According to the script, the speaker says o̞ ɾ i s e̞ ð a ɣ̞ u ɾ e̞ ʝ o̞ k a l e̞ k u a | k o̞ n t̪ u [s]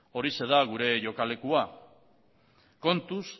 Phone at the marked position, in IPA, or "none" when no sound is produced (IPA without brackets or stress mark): s